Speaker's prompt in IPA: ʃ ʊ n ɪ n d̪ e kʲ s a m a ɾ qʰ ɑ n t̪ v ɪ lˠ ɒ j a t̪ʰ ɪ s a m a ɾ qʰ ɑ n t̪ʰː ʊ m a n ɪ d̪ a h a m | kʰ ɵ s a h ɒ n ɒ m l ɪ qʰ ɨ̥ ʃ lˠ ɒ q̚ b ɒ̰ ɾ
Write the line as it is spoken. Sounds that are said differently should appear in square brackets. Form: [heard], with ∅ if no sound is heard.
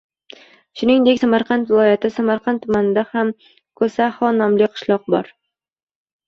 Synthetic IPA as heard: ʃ ʊ n ɪ [ŋ] d̪ e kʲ s a m a ɾ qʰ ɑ n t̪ v ɪ lˠ ɒ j a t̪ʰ ɪ s a m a ɾ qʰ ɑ n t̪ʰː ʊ m a n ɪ d̪ a h a m | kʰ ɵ s a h ɒ n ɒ m l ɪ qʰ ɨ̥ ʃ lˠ ɒ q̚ b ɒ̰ ɾ